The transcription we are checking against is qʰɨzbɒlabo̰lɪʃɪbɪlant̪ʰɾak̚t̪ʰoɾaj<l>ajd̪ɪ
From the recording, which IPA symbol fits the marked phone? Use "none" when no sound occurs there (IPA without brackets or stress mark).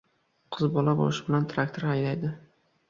l